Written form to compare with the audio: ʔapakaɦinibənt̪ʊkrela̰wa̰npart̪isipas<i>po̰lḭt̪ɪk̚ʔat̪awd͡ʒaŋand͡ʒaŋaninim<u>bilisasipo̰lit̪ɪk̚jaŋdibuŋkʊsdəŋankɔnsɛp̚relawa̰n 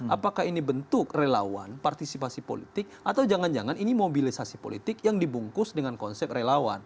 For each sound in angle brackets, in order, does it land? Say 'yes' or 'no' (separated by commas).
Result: yes, no